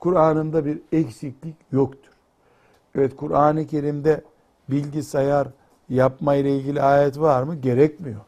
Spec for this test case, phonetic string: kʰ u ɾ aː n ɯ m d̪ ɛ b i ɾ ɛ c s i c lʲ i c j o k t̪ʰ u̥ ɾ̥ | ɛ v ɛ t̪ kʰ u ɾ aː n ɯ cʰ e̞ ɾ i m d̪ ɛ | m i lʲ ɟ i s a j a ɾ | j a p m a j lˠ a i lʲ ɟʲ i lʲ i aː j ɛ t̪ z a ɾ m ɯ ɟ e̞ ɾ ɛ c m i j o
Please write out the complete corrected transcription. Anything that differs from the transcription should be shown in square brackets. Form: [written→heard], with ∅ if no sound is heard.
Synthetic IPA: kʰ u ɾ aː n ɯ m d̪ [ɛ→a] b i ɾ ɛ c s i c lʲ i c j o k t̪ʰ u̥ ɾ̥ | ɛ v ɛ t̪ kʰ u ɾ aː n ɯ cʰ e̞ ɾ i m d̪ ɛ | [m→b] i lʲ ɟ i s a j a ɾ | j a p m a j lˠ a i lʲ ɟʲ i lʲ i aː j ɛ t̪ [z→v] a ɾ m ɯ ɟ e̞ ɾ ɛ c m i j o